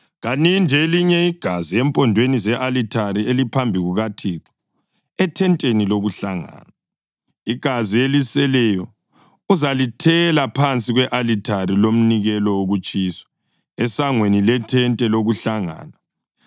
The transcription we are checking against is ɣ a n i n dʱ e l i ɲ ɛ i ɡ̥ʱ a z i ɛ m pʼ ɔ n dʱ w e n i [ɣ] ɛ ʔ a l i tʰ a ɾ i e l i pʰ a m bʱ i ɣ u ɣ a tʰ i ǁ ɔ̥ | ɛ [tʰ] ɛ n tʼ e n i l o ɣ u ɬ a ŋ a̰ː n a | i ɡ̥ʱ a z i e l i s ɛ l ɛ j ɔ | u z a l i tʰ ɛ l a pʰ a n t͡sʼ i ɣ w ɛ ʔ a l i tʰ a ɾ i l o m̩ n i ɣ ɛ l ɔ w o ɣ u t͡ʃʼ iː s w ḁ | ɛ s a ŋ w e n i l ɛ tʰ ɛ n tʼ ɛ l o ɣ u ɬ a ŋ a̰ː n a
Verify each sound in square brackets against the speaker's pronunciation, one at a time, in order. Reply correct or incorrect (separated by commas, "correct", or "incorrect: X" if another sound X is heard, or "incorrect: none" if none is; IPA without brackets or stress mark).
incorrect: z, correct